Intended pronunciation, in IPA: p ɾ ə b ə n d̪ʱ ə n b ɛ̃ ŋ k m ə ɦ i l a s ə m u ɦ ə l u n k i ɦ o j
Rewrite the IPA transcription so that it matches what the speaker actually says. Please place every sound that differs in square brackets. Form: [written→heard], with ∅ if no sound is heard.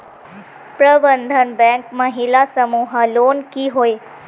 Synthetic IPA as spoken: p ɾ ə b ə n d̪ʱ ə n b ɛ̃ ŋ k m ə ɦ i l a s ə m u ɦ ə l [u→o] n k i ɦ o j

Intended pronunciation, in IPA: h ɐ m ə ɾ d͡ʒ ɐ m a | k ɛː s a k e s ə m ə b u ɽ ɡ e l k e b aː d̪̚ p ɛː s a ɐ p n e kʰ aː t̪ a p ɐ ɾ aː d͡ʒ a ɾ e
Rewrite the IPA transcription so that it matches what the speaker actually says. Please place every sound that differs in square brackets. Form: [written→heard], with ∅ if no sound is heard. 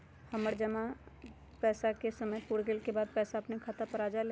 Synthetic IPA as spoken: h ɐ m ə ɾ d͡ʒ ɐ m a | [k→p] ɛː s a k e s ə m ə [b→p] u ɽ ɡ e l k e b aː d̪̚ p ɛː s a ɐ p n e kʰ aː t̪ a p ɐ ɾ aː d͡ʒ a [ɾ→l] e

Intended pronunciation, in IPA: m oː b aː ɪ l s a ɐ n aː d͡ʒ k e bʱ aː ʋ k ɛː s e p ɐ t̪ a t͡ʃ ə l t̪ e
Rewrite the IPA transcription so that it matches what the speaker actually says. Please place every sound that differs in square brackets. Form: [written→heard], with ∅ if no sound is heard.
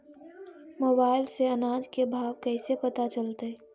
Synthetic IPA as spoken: m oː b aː ɪ l s [a→e] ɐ n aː d͡ʒ k e bʱ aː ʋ k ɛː s e p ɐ t̪ a t͡ʃ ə l t̪ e

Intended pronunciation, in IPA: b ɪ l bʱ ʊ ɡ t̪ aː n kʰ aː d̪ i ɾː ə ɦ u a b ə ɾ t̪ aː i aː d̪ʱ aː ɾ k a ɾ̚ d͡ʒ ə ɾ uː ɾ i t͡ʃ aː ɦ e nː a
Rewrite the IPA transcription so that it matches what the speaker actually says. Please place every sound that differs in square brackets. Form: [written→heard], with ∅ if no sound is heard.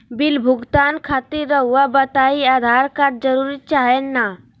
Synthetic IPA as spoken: b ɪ l bʱ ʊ ɡ t̪ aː n kʰ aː [d̪→t̪] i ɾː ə ɦ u a b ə [ɾ→∅] t̪ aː i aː d̪ʱ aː ɾ k a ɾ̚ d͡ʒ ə ɾ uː ɾ i t͡ʃ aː ɦ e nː a

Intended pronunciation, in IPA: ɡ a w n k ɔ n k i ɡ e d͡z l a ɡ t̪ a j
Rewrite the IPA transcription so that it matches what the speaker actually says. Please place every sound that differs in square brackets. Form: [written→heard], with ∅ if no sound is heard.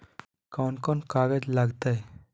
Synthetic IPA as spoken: [ɡ→k] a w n k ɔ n k [i→a] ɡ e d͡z l a ɡ t̪ a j

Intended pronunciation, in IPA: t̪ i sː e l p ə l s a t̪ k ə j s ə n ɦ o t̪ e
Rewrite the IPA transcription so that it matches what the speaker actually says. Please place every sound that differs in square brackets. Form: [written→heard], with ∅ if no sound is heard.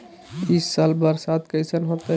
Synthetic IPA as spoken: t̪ i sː [e→a] l [p→b] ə [l→ɾ] s a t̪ k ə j s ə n ɦ o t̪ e

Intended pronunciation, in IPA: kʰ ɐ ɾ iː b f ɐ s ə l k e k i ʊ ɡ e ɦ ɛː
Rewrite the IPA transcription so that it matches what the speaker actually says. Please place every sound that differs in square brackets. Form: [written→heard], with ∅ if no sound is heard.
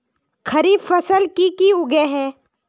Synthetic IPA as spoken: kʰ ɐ ɾ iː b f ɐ s ə l k [e→i] k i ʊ ɡ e ɦ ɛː

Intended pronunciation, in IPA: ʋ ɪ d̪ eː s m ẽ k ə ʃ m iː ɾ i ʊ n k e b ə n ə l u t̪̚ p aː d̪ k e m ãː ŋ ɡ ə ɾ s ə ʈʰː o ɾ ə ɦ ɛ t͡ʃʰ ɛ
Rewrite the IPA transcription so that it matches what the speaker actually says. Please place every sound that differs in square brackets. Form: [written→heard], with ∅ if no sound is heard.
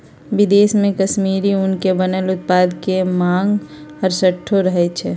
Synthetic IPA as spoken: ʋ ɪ d̪ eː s m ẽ k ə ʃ m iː ɾ i ʊ n k e b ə n ə l [u→ʊ] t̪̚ p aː d̪ k e m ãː ŋ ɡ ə ɾ s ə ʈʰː o ɾ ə ɦ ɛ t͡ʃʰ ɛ

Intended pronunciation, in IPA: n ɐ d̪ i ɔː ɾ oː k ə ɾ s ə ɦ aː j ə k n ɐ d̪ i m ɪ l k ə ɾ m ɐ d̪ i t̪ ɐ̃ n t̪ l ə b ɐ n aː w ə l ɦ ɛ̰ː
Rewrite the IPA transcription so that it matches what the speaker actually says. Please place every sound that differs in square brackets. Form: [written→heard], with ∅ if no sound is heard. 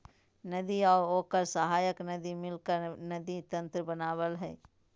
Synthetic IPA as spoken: n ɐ d̪ i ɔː ɾ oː k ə ɾ s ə ɦ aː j ə k n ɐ d̪ i m ɪ l k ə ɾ [m→n] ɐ d̪ i t̪ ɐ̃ n t̪ [l→ɾ] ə b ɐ n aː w ə l ɦ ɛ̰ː

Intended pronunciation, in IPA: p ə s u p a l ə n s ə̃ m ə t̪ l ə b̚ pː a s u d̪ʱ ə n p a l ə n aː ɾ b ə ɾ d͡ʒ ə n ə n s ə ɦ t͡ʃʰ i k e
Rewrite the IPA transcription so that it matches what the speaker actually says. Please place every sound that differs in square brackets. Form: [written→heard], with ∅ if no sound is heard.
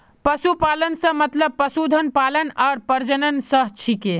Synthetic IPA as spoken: p ə s u p a l ə n s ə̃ m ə t̪ l ə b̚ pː [a→ə] s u d̪ʱ ə n p a l ə n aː ɾ [b→p] ə ɾ d͡ʒ ə n ə n s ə ɦ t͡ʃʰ i k e

